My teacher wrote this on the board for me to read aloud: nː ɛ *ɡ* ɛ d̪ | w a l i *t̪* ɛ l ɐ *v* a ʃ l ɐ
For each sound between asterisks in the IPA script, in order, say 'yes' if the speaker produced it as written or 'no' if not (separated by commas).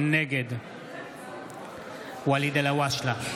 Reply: yes, no, no